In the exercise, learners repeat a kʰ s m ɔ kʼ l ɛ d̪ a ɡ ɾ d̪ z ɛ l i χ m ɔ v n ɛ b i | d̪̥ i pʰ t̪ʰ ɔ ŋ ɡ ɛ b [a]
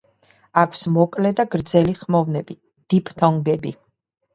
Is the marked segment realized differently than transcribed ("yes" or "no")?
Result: yes